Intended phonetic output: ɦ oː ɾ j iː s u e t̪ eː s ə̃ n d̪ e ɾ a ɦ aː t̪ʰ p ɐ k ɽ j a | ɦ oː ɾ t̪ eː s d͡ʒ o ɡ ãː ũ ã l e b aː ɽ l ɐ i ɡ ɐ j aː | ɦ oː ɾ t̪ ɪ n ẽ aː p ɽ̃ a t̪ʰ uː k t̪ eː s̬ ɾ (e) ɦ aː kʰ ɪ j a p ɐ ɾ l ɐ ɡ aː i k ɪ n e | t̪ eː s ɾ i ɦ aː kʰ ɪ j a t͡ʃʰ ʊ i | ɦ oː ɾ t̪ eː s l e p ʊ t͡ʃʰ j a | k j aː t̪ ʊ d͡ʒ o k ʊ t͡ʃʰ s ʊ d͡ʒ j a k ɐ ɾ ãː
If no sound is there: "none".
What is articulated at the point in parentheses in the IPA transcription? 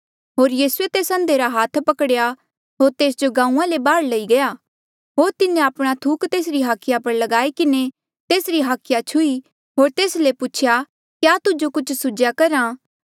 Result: i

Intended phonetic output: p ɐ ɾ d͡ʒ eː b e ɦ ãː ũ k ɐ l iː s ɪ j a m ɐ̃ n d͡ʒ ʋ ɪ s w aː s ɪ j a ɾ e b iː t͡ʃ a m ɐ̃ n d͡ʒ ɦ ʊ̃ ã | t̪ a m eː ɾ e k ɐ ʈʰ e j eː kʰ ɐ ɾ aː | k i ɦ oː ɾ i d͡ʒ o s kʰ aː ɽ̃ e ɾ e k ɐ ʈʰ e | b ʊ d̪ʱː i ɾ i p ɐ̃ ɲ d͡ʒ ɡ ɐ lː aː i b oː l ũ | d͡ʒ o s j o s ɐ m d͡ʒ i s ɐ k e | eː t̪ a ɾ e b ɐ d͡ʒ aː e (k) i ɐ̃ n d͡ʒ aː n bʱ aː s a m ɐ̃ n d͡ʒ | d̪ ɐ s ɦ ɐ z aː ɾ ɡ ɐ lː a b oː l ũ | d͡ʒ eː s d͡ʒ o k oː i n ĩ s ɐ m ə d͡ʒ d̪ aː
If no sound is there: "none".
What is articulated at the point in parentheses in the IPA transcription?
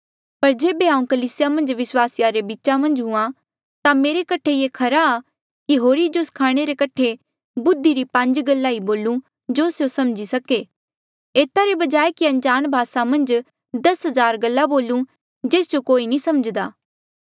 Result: k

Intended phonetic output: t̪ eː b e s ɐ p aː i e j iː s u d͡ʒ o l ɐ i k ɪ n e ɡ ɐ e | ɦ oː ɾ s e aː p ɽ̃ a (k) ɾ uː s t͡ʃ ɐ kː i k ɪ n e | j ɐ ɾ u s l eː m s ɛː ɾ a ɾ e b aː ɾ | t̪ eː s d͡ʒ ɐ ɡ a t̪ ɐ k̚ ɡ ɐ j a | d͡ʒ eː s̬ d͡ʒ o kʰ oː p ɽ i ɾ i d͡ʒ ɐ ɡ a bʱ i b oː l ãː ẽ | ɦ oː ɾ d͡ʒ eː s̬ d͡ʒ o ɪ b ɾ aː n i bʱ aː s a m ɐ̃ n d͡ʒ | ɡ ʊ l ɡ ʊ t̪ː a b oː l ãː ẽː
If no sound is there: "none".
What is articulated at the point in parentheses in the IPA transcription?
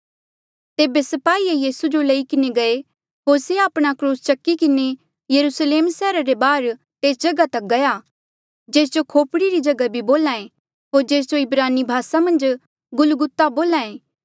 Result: k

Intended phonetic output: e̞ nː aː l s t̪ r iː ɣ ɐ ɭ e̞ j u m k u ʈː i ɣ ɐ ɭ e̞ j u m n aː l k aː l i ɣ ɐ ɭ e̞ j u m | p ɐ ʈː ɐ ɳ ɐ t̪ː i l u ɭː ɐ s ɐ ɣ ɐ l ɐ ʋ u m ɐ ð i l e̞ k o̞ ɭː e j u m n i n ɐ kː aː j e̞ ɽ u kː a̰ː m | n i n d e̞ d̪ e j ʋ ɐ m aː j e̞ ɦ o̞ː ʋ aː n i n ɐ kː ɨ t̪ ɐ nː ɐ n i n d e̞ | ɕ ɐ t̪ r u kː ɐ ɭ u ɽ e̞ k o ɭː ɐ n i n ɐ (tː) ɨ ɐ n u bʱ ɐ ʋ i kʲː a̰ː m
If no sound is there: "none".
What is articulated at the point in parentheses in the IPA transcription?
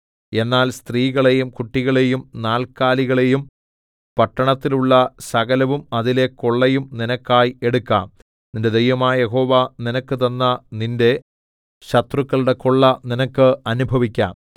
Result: kː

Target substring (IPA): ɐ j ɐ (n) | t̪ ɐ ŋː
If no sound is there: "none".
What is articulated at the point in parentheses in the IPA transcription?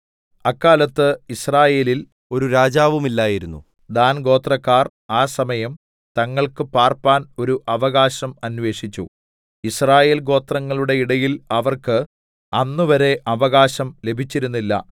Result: m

